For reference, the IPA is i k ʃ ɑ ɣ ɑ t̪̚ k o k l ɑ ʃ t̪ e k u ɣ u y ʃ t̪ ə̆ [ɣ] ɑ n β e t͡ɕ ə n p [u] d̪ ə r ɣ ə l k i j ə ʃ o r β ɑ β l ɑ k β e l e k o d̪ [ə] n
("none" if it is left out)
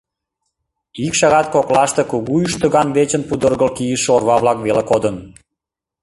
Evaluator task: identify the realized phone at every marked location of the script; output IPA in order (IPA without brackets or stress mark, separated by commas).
ɣ, u, ə